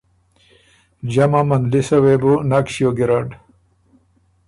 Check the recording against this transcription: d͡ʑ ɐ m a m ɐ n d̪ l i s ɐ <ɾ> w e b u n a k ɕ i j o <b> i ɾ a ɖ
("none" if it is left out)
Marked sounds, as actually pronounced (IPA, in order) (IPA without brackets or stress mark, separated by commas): none, ɡ